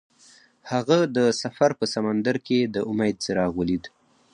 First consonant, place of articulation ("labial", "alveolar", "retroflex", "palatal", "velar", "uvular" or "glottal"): glottal